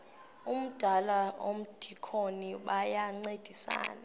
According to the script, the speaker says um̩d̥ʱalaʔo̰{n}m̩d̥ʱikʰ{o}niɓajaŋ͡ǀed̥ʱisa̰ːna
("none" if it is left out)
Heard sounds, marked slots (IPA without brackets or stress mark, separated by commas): none, o